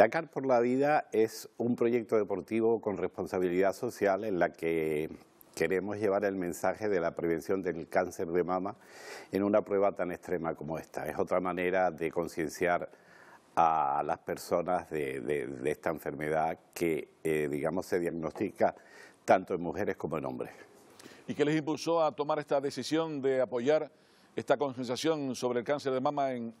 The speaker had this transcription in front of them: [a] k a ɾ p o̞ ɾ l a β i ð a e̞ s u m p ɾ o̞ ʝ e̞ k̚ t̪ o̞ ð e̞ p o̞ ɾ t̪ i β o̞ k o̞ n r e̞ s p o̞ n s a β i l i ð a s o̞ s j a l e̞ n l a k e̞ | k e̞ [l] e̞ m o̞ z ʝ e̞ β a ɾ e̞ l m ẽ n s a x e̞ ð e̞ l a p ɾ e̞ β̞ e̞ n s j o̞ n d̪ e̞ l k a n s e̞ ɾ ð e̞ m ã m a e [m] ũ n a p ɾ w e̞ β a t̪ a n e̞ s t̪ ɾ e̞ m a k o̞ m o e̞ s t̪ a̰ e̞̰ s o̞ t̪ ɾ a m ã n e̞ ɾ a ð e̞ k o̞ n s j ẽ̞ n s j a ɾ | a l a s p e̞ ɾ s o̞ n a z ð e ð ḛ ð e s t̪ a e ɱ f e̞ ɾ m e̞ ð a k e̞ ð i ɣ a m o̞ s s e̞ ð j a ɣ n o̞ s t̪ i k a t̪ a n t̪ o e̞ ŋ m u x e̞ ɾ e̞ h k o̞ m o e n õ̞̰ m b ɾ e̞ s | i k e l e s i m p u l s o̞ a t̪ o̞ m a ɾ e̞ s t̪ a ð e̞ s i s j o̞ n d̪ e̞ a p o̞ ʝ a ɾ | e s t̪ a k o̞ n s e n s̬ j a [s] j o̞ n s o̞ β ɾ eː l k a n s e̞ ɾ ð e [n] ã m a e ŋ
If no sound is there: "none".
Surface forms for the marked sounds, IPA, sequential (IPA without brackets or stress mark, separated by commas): a, ɾ, n, s, m